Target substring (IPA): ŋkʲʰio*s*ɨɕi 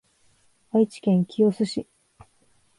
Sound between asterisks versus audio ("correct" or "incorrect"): correct